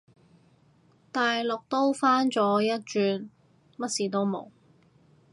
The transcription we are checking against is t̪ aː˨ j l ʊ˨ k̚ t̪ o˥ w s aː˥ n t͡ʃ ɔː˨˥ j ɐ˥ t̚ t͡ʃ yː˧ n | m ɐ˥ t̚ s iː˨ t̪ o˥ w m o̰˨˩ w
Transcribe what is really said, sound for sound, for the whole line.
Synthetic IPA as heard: t̪ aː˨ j l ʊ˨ k̚ t̪ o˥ w f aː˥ n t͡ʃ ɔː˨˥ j ɐ˥ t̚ t͡ʃ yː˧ n | m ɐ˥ t̚ s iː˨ t̪ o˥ w m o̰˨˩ w